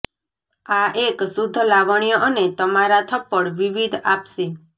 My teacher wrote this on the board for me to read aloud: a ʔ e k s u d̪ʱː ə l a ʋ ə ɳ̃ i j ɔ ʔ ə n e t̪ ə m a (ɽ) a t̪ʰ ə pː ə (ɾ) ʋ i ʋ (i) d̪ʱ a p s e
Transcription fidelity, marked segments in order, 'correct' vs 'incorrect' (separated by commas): incorrect, incorrect, correct